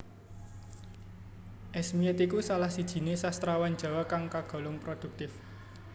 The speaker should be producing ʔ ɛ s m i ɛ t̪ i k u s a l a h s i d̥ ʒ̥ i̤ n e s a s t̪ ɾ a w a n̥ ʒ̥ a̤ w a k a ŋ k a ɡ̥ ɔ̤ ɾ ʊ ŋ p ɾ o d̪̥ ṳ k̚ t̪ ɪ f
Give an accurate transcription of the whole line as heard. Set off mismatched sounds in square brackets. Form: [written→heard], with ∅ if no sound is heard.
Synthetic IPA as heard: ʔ ɛ s m i ɛ t̪ i k u s a l a h s i d̥ ʒ̥ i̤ n e s a s t̪ ɾ a w a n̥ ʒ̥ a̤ w a k a ŋ k a ɡ̥ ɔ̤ [ɾ→l] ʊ ŋ p ɾ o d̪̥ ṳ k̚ t̪ ɪ f

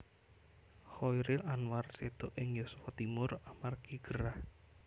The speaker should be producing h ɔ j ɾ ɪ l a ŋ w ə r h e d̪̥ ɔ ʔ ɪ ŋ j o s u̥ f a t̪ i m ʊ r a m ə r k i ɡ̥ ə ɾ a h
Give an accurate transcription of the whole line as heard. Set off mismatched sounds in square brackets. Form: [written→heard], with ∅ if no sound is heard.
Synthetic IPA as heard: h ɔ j ɾ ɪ l a [ŋ→n] w [ə→a] r [h→s] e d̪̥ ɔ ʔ ɪ ŋ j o s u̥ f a t̪ i m ʊ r a m [ə→a] r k i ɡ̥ ə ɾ a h

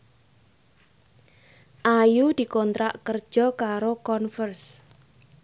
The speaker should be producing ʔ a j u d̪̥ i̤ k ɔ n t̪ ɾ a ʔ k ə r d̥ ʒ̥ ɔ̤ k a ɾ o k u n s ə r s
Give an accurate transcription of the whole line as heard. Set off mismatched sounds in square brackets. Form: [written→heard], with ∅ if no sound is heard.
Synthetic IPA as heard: ʔ a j u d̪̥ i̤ k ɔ n t̪ ɾ a ʔ k ə r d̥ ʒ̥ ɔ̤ k a ɾ o k [u→ɔ] n [s→f] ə r s

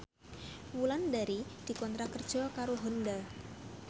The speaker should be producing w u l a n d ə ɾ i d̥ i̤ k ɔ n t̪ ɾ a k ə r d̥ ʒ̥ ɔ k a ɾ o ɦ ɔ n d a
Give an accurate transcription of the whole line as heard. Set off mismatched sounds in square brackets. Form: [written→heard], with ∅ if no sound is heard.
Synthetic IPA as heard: w u l a n d [ə→a] ɾ i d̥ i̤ k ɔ n t̪ ɾ a k ə r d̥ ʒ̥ ɔ k a ɾ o ɦ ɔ n d a

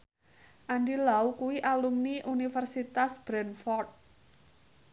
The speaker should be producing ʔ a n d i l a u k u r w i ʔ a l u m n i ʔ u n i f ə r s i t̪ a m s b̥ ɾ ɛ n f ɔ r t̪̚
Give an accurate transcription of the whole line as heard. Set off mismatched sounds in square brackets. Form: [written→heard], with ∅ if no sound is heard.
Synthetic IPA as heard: ʔ a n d i l a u k u [r→∅] w i ʔ a l u m n i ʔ u n i f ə r s i t̪ a [m→∅] s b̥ ɾ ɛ n f ɔ r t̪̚

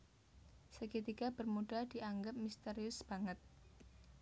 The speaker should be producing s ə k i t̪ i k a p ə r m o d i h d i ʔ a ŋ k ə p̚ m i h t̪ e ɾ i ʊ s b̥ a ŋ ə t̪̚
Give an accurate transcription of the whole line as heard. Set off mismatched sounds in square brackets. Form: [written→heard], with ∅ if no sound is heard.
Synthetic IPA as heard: s ə k i t̪ i k a [p→b] ə r m [o→u] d [i→a] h d i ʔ a ŋ [k→ɡ] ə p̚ m i [h→s] t̪ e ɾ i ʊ s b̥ a ŋ ə t̪̚

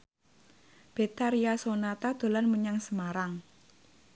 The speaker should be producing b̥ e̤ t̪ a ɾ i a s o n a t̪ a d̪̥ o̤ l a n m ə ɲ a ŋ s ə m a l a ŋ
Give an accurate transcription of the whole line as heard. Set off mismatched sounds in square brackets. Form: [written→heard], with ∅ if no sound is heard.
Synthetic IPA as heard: b̥ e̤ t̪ a ɾ i a s o n a t̪ a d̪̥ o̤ l a n m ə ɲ a ŋ s ə m a [l→ɾ] a ŋ

